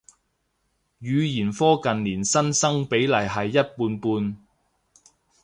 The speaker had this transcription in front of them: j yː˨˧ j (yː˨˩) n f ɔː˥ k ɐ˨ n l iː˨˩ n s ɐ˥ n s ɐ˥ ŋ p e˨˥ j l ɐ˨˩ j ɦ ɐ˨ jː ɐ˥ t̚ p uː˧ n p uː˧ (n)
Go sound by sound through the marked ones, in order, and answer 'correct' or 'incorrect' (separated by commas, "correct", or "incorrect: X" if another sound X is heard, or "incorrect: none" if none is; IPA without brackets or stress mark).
incorrect: iː˨˩, correct